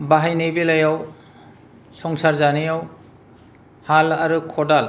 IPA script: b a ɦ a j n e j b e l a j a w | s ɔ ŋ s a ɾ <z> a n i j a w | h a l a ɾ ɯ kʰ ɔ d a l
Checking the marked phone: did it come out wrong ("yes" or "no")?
no